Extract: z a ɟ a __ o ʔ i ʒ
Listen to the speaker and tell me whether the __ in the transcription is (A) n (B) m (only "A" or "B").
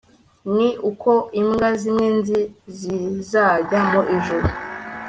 B